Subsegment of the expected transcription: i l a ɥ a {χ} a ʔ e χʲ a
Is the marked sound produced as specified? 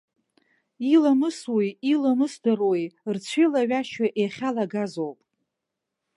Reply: no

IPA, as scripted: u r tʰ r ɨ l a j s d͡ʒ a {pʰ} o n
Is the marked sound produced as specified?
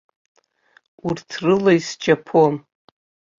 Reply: yes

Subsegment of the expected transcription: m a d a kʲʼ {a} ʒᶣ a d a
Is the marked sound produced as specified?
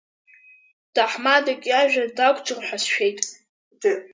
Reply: yes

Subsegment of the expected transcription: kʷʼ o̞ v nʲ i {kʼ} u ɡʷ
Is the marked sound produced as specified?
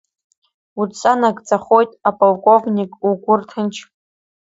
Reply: yes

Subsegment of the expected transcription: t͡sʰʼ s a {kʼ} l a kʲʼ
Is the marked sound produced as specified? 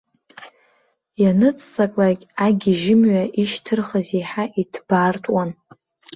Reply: yes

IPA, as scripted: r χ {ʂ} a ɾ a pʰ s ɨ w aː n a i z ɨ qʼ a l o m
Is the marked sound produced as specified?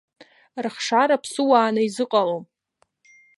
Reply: yes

